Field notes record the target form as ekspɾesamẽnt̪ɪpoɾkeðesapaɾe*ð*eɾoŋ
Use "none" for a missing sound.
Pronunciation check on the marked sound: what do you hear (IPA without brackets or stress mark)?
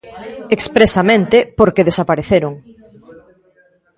θ